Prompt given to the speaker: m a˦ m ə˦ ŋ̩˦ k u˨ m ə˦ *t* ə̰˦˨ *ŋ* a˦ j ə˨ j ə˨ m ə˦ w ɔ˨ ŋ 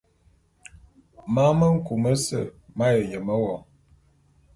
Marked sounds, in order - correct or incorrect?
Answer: incorrect: s, incorrect: m

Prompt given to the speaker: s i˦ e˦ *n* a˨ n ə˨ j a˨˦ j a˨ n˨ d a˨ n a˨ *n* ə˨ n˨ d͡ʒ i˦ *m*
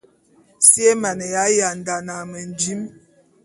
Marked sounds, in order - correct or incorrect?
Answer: incorrect: m, incorrect: m, correct

